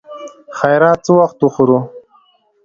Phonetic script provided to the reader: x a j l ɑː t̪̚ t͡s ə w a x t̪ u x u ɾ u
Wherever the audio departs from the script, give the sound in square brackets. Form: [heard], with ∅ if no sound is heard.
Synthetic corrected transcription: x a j [ɾ] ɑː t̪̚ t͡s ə w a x t̪ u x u ɾ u